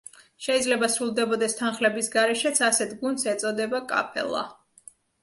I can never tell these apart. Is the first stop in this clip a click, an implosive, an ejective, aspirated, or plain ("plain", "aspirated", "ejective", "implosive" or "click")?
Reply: plain